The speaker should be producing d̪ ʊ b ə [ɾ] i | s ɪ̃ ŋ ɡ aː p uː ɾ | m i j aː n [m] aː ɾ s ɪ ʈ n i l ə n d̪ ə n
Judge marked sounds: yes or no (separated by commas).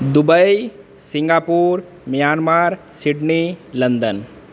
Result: no, yes